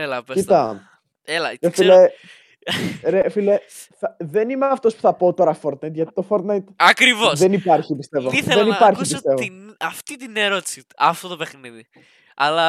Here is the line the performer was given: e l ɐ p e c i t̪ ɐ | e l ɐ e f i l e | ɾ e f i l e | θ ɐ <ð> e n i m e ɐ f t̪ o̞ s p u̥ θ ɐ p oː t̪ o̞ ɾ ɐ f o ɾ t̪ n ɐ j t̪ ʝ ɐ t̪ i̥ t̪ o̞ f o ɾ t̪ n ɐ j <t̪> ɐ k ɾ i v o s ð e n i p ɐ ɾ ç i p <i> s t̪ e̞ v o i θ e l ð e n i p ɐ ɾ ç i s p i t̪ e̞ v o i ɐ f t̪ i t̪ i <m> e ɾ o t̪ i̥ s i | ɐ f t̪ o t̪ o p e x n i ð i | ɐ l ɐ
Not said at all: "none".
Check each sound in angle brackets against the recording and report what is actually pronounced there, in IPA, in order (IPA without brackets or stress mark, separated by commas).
ð, t̪, i, n